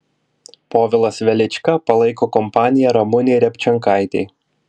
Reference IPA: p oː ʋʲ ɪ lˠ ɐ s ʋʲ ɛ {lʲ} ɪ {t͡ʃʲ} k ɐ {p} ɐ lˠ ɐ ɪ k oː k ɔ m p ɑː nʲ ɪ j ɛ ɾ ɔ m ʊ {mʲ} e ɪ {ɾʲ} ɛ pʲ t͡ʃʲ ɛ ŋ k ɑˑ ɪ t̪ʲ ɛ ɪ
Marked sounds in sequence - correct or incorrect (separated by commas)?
correct, correct, correct, incorrect, correct